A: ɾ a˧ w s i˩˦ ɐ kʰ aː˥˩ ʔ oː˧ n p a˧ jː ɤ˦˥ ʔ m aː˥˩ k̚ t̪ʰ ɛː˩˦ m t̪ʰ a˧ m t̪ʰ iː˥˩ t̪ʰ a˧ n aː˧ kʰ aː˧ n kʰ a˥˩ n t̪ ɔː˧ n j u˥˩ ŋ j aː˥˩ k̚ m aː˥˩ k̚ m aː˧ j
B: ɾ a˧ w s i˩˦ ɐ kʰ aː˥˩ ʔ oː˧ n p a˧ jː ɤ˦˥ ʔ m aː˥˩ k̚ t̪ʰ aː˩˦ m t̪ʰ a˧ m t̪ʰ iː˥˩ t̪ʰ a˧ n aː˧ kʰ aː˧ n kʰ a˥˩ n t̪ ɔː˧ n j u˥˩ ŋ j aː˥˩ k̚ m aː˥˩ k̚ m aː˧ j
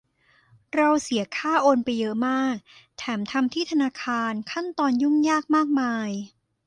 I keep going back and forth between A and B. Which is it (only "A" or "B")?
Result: A